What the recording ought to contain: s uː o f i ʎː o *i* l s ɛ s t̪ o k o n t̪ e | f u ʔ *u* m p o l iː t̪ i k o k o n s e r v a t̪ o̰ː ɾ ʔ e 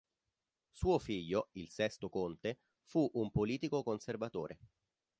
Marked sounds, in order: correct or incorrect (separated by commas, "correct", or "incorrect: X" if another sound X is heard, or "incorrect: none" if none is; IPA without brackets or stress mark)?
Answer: correct, correct